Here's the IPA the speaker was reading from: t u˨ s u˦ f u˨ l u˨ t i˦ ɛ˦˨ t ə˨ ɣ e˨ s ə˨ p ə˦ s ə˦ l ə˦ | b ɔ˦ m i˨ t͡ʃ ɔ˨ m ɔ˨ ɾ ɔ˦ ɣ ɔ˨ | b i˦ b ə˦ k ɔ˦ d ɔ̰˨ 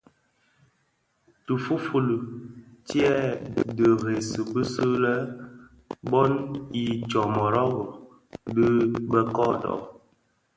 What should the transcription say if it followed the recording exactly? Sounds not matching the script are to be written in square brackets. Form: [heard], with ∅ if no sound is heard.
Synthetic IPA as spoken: t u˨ [f] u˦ f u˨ l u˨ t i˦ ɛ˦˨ [d] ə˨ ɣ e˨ s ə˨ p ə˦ s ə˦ l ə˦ | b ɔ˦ [n] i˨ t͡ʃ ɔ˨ m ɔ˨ ɾ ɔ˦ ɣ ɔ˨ | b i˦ b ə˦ k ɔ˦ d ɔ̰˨